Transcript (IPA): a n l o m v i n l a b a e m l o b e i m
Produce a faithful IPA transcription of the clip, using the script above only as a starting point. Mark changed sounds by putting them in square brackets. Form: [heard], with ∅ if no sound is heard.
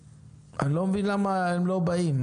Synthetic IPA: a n l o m v i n l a [m] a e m l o b [a] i m